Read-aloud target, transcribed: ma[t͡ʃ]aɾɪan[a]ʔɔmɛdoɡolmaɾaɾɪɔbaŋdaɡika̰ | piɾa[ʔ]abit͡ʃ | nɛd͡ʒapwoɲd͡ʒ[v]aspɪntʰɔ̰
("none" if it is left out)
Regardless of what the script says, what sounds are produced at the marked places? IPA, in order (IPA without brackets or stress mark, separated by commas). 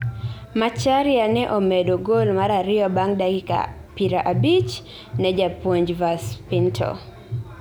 t͡ʃ, ɛ, ʔ, v